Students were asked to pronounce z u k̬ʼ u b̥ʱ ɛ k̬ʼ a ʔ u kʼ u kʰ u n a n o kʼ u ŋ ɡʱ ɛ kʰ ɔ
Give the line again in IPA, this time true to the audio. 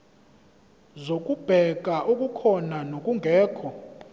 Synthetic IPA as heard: z o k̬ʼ u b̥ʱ ɛ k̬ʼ a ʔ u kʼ u kʰ ɔ n a n o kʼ u ŋ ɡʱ ɛː kʰ ɔ